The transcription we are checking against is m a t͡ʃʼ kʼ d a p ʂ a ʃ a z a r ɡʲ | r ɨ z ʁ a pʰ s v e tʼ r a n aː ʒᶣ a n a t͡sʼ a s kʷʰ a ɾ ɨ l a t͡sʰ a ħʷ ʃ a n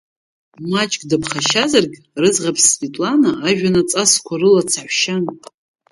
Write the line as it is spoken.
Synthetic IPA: m a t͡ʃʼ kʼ d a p χ a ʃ a z a r ɡʲ | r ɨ z ʁ a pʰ s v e tʼ l a n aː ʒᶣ a n a t͡sʼ a s kʷʰ a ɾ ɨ l a t͡sʰ a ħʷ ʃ a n